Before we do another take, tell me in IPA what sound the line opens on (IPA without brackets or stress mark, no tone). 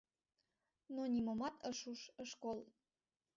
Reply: n